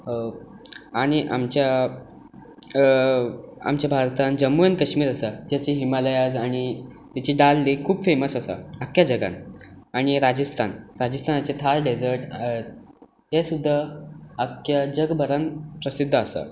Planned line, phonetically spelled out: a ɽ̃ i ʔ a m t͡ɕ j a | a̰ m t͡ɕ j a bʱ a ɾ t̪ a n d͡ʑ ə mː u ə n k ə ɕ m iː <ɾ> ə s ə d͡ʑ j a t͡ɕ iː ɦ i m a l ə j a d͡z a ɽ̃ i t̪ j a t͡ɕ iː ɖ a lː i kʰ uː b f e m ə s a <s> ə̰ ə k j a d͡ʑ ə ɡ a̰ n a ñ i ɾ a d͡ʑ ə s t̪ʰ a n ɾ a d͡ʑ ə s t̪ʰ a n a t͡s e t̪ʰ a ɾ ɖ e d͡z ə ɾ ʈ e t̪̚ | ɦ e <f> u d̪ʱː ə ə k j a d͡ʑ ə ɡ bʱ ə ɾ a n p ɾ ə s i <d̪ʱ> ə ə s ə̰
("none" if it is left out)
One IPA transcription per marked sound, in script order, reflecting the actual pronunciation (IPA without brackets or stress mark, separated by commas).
ɾ, s, s, d̪ʱː